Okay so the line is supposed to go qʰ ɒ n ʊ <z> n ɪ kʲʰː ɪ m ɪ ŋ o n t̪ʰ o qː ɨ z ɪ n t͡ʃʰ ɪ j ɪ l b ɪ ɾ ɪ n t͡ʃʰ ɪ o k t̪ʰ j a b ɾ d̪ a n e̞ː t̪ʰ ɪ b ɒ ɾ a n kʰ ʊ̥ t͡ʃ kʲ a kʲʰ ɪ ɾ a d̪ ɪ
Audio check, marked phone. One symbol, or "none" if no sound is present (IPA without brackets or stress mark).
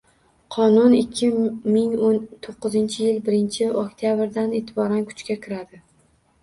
none